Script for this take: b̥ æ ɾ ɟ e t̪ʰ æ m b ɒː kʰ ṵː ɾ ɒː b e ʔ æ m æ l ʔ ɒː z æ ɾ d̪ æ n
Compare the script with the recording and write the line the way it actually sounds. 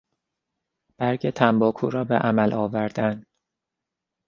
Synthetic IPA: b̥ æ ɾ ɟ e t̪ʰ æ m b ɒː kʰ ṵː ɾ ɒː b e ʔ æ m æ l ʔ ɒː v æ ɾ d̪ æ n